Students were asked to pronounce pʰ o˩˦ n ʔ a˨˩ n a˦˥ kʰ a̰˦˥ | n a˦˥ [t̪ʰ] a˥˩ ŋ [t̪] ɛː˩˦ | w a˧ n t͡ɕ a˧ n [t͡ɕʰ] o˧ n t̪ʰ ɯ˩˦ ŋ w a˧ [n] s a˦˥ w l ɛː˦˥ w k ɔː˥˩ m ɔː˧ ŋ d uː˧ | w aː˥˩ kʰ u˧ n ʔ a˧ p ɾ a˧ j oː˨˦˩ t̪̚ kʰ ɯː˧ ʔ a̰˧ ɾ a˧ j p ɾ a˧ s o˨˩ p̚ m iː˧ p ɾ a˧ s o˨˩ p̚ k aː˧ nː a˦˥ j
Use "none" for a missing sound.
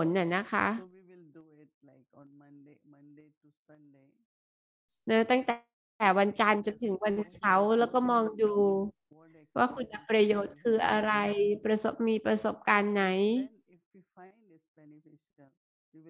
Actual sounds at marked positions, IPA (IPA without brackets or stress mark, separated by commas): t̪, t̪, t͡ɕ, n